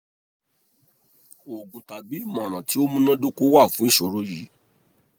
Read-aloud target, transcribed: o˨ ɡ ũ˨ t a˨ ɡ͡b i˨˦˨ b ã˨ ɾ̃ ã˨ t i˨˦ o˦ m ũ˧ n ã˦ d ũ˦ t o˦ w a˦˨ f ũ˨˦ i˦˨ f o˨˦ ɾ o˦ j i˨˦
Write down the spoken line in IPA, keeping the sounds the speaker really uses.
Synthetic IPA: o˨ ɡ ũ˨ t a˨ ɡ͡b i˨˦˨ m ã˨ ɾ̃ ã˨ t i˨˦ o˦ m ũ˧ n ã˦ d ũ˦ k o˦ w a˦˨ f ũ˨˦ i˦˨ ʃ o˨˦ ɾ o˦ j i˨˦